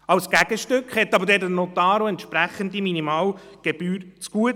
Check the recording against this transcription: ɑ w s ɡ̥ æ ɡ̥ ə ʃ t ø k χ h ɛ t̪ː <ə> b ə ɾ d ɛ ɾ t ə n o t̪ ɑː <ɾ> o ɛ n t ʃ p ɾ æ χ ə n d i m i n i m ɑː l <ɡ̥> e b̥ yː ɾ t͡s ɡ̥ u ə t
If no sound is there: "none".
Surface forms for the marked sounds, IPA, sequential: ɑ, ɾ, ɡ̥

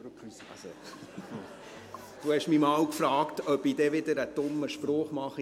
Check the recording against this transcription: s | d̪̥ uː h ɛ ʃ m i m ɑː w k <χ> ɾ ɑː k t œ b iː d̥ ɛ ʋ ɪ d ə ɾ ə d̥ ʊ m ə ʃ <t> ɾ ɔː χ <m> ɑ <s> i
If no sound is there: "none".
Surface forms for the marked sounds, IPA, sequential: f, p, m, χ

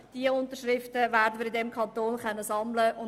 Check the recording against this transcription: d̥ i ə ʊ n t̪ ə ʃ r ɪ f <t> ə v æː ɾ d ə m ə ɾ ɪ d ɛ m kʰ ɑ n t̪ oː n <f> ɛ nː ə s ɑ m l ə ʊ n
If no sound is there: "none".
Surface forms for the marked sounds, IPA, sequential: t, χ

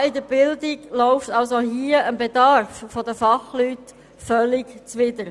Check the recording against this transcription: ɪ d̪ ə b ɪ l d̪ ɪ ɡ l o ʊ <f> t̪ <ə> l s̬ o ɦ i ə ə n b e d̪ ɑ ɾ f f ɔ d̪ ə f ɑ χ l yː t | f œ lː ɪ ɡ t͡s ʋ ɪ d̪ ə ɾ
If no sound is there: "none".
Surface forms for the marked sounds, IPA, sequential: f, ɑ

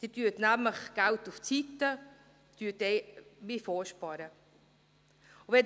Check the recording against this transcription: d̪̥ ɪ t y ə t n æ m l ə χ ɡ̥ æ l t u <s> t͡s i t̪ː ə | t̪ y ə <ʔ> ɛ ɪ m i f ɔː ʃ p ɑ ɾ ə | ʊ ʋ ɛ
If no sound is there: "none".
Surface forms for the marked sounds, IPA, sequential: f, t

